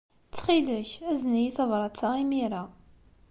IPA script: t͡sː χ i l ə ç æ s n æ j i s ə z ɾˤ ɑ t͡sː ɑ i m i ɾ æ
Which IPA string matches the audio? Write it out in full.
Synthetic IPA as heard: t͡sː χ i l ə ç æ z n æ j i θ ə v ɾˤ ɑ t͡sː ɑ i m i ɾ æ